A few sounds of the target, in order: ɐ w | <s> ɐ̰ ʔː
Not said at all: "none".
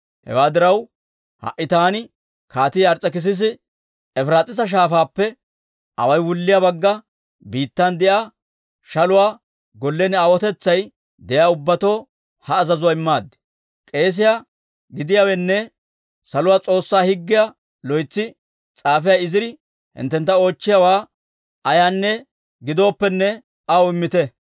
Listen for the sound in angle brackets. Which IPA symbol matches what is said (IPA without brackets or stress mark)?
h